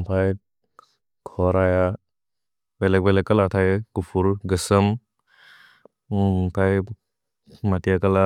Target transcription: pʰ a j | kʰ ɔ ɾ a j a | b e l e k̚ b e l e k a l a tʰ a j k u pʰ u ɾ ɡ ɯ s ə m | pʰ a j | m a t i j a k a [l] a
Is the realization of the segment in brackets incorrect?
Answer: no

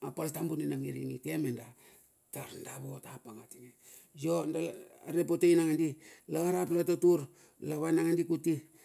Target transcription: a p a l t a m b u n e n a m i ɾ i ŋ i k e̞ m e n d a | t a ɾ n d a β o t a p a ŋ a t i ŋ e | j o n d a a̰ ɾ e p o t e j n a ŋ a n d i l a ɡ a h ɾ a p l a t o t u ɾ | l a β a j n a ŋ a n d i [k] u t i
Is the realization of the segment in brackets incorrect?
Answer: no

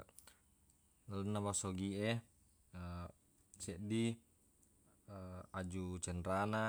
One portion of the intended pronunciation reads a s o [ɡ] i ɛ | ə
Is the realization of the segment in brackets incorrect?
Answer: no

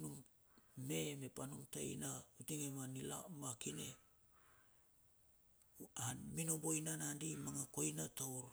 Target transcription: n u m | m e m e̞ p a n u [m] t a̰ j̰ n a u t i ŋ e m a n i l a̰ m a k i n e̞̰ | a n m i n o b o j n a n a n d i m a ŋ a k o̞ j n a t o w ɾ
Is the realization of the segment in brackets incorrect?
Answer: no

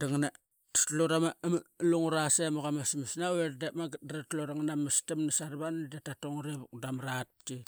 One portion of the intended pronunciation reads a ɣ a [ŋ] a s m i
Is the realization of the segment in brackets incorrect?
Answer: yes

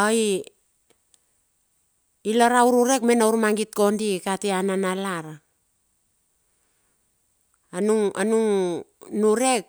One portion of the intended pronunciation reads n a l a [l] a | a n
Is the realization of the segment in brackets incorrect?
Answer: yes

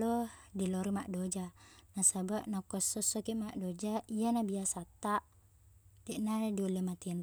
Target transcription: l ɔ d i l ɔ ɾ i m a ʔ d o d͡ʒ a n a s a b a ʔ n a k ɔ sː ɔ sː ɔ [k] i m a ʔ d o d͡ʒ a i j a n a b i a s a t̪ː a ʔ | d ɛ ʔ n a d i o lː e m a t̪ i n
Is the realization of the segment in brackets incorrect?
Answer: no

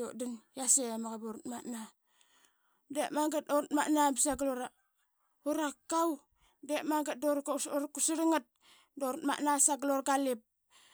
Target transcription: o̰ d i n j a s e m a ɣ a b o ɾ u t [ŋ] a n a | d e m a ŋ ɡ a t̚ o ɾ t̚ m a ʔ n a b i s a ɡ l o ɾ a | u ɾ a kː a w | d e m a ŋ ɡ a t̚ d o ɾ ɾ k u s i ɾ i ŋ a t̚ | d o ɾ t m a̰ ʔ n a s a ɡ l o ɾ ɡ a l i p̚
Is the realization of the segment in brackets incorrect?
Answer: yes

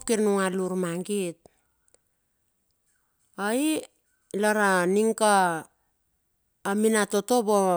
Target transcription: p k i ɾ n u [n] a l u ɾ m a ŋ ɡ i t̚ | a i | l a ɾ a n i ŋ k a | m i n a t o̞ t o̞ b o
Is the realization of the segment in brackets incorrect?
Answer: yes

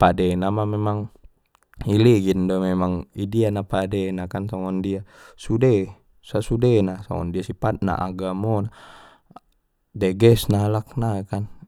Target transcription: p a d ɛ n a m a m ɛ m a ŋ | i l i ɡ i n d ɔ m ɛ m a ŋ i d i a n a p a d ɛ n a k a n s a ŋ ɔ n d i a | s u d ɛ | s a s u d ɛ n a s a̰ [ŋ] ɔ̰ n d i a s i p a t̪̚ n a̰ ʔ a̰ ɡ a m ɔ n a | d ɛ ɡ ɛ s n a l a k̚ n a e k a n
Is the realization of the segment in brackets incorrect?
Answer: no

